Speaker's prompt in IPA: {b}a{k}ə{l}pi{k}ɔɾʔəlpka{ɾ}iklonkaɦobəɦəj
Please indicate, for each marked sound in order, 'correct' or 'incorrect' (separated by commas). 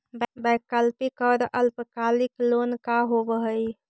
correct, correct, correct, correct, incorrect